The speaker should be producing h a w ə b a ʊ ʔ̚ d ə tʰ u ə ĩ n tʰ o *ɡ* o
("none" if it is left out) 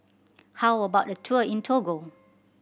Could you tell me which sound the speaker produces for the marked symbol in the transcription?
ɡ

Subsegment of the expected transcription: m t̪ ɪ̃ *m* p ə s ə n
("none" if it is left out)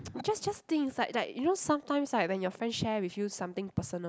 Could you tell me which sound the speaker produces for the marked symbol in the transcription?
ŋ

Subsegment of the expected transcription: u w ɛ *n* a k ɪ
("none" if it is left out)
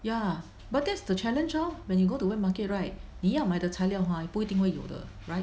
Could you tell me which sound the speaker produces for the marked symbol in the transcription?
m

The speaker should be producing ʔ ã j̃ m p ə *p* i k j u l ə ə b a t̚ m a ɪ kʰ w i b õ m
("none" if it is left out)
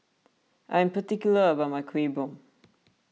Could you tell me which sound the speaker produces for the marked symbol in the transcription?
t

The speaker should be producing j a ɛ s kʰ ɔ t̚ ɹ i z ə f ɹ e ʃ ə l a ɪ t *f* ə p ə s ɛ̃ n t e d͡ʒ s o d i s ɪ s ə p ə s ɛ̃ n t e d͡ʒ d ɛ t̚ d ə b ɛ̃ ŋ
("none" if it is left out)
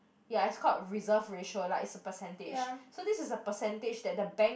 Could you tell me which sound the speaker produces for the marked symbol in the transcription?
s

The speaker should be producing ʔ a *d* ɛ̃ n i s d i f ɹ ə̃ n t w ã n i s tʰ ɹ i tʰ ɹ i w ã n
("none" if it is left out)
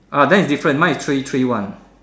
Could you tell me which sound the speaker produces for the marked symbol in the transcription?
d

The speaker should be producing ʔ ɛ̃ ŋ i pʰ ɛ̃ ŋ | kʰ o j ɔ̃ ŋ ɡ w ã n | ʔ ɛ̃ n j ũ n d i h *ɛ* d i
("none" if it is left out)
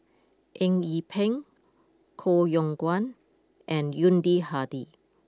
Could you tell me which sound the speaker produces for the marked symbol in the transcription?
a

